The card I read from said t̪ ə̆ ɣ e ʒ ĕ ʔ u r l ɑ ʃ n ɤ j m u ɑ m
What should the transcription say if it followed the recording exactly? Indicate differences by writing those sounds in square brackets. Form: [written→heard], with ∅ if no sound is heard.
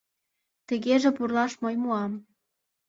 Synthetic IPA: t̪ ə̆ ɣ e ʒ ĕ [ʔ→p] u r l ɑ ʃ [n→m] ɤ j m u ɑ m